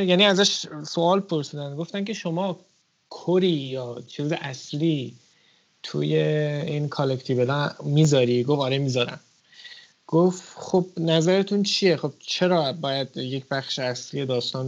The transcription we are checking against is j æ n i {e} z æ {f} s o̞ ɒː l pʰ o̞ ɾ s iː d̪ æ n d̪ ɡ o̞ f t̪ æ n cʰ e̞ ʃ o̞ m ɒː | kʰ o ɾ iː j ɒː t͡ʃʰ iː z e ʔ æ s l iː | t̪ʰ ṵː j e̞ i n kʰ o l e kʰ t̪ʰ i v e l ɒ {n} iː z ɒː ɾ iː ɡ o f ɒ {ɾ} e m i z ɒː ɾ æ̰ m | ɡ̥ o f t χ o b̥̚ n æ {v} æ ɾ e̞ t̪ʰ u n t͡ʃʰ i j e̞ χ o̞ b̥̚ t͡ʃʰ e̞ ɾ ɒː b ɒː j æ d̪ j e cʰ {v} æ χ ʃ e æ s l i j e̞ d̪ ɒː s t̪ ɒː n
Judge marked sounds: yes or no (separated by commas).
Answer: no, no, no, yes, no, no